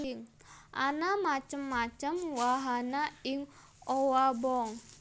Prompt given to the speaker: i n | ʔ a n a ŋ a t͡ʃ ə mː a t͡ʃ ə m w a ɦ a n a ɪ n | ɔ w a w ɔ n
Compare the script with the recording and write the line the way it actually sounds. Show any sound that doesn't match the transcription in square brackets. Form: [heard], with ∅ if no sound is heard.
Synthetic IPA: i [ŋ] | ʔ a n a [m] a t͡ʃ ə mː a t͡ʃ ə m w a ɦ a n a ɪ [ŋ] | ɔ w a [b] ɔ [ŋ]

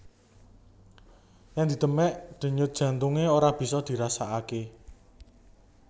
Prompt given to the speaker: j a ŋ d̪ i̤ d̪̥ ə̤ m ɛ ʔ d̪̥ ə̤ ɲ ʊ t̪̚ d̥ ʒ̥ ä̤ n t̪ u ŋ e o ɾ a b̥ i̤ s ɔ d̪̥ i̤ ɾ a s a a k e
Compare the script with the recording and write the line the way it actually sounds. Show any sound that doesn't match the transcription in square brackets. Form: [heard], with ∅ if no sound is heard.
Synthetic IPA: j a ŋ d̪ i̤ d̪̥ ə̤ m ɛ ʔ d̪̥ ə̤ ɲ ʊ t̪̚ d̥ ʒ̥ ä̤ n t̪ u ŋ e o ɾ a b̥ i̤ s ɔ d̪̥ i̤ ɾ a s a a k e

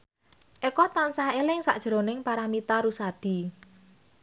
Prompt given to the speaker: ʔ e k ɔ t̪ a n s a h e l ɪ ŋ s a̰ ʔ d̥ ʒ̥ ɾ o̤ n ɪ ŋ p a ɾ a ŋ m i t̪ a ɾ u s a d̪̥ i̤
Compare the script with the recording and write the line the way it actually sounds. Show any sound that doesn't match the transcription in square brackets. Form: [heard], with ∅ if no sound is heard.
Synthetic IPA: ʔ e k ɔ t̪ a n s a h e l ɪ ŋ s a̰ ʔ d̥ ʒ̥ ɾ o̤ n ɪ ŋ p a ɾ a [∅] m i t̪ a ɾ u s a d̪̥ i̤

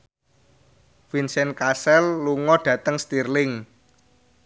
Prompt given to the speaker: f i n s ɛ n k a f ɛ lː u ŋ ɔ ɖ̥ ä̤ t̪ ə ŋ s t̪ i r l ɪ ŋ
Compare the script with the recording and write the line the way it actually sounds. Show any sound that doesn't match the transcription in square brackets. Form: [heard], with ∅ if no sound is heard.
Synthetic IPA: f i n s ɛ n k a [s] ɛ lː u ŋ ɔ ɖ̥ ä̤ t̪ ə ŋ s t̪ i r l ɪ ŋ

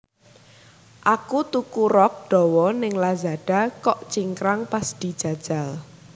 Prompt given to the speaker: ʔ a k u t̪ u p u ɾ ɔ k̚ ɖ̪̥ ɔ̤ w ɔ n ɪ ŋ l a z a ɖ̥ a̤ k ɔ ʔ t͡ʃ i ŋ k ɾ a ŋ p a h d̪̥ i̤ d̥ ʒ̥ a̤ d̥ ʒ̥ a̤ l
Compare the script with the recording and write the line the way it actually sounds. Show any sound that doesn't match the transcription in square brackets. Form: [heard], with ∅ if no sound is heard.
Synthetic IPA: ʔ a k u t̪ u [k] u ɾ ɔ k̚ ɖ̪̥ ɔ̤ w ɔ n ɪ ŋ l a z a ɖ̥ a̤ k ɔ ʔ t͡ʃ i ŋ k ɾ a ŋ p a [s] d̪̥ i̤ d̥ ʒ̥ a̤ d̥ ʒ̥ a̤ l

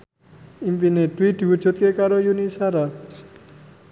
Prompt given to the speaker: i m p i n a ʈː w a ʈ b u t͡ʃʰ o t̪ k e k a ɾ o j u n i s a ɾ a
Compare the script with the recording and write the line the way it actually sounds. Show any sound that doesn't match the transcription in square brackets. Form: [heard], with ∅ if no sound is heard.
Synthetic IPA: i m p i n [e] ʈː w [i] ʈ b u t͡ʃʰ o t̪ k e k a ɾ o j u n i s a ɾ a

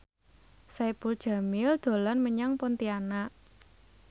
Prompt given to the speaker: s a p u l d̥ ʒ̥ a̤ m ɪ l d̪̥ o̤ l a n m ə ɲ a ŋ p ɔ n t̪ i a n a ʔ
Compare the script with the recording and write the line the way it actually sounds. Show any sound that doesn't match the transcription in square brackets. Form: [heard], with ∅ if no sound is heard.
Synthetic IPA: s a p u l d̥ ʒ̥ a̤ m ɪ l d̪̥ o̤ l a n m ə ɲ a ŋ p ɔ n t̪ i a n a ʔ

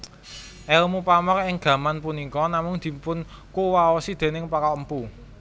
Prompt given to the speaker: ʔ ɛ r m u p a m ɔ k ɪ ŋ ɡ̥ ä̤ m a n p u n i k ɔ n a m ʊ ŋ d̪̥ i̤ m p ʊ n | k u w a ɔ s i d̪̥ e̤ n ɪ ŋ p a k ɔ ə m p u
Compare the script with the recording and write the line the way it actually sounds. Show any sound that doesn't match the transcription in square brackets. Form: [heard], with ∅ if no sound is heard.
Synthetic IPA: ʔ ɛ [l] m u p a m ɔ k ɪ ŋ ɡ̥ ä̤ m a n p u n i k ɔ n a m ʊ ŋ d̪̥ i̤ m p ʊ n | k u w a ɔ s i d̪̥ e̤ n ɪ ŋ p a k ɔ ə m p u

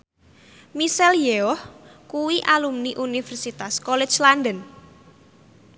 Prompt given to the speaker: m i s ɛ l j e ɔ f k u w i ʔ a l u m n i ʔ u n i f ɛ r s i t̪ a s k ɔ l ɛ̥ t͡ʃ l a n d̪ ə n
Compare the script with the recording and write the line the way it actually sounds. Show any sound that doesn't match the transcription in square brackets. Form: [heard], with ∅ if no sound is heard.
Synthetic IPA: m i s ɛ l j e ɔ [h] k u w i ʔ a l u m n i ʔ u n i f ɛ r s i t̪ a s k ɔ l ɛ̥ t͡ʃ l a n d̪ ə n

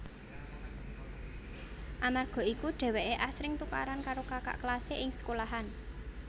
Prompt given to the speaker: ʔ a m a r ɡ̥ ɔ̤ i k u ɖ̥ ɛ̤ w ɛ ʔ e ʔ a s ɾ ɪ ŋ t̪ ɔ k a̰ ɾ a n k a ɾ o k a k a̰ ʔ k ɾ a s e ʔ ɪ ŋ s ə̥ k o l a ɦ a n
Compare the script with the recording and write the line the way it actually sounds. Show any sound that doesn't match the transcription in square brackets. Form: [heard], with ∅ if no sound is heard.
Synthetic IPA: ʔ a m a r ɡ̥ ɔ̤ i k u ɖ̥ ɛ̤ w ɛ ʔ e ʔ a s ɾ ɪ ŋ t̪ [u] k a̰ ɾ a n k a ɾ o k a k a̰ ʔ k [l] a s e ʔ ɪ ŋ s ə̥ k o l a ɦ a n

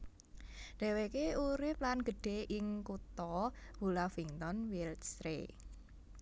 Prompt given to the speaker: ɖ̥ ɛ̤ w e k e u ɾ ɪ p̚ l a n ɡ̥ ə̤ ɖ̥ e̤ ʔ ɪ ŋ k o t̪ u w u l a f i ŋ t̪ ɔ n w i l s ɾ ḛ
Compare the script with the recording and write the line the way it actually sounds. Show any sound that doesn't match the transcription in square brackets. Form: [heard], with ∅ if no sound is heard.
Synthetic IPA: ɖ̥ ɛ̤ w e k e u ɾ ɪ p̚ l a n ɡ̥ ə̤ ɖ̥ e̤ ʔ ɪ ŋ k [u] t̪ [ɔ] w u l a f i ŋ t̪ ɔ n w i l s ɾ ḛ

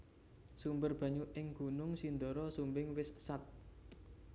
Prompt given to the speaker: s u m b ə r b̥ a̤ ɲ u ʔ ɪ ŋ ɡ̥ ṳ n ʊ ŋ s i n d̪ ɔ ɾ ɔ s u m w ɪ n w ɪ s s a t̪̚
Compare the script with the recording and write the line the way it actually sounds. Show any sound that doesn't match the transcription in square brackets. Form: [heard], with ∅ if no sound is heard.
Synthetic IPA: s u m b ə r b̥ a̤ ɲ u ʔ ɪ ŋ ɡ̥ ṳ n ʊ ŋ s i n d̪ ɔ ɾ ɔ s u m [b] ɪ [ŋ] w ɪ s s a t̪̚

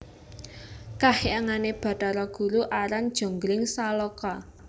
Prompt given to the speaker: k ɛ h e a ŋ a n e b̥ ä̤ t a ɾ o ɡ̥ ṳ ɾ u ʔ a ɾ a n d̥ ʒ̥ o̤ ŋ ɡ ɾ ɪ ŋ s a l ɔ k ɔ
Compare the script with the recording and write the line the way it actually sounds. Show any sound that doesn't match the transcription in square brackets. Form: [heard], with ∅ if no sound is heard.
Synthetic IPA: k [a] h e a ŋ a n e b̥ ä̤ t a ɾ [ɔ] ɡ̥ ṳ ɾ u ʔ a ɾ a n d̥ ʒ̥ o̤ ŋ ɡ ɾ ɪ ŋ s a l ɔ k ɔ

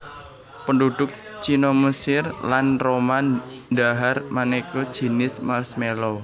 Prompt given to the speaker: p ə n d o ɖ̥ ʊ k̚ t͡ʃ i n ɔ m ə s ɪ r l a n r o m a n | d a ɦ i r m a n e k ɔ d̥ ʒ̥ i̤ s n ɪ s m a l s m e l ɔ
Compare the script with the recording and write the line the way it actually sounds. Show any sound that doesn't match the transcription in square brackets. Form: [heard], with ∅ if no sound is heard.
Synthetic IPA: p ə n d [u] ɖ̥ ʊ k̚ t͡ʃ i n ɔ m ə s ɪ r l a n r o m a n | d a ɦ [a] r m a n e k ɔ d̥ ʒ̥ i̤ [∅] n ɪ s m a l s m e l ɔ

